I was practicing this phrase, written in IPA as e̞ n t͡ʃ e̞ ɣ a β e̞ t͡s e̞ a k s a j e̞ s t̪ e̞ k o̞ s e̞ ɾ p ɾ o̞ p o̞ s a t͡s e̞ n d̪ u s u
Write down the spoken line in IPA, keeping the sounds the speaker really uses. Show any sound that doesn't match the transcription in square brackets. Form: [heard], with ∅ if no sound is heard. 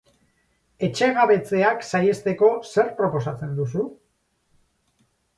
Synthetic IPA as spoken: e̞ [∅] t͡ʃ e̞ ɣ a β e̞ t͡s e̞ a k s a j e̞ s t̪ e̞ k o̞ s e̞ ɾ p ɾ o̞ p o̞ s a t͡s e̞ n d̪ u s u